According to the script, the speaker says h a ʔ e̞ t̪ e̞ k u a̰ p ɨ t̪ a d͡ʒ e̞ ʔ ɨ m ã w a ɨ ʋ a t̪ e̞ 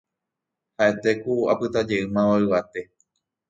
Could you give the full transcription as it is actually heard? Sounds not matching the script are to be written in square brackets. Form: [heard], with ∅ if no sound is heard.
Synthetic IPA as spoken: h a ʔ e̞ t̪ e̞ k u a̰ p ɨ t̪ a d͡ʒ e̞ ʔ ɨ m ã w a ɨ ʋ a t̪ e̞